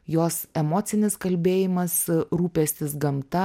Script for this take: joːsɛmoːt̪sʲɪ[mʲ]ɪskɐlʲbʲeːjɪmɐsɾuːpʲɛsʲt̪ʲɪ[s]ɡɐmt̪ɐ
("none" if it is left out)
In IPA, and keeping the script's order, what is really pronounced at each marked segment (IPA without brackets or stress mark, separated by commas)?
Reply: nʲ, s